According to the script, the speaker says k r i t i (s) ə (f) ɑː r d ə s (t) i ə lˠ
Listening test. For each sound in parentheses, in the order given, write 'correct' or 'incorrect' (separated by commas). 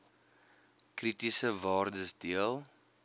correct, incorrect, incorrect